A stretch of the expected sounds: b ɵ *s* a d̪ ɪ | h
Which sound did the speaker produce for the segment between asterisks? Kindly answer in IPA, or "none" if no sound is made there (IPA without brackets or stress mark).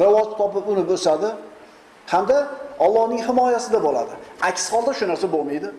s